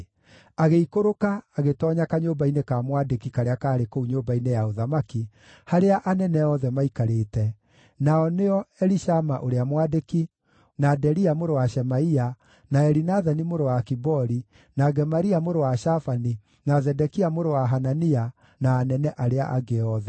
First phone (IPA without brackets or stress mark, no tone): a